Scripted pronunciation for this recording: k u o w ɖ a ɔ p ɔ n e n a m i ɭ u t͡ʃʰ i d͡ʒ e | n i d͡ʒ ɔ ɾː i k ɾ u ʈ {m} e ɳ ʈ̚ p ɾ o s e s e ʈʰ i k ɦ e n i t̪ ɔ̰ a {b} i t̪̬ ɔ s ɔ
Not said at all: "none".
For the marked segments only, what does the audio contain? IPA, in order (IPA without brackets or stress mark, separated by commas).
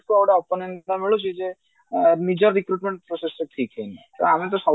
m, m